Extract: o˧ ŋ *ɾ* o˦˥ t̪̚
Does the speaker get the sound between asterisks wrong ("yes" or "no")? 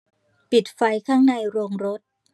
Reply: no